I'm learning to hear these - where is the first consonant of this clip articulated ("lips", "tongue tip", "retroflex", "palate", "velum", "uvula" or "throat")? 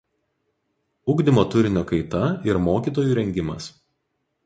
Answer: velum